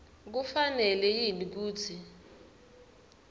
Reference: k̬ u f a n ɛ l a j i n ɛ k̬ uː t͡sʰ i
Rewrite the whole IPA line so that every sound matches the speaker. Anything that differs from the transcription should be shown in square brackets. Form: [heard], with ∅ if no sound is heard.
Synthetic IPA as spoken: k̬ u f a n ɛ l [ɛ] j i n [i] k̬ uː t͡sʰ i